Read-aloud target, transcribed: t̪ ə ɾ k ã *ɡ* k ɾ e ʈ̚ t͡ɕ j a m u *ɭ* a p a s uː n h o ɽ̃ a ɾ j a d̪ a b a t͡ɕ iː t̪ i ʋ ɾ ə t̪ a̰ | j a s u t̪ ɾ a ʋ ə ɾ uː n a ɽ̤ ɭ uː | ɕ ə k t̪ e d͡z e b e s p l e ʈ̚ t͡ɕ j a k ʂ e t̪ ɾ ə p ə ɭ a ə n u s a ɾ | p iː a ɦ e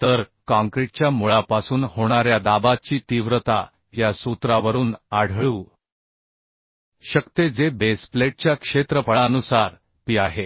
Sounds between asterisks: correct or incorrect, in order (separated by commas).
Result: incorrect, correct